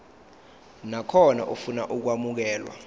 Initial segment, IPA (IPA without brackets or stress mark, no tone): n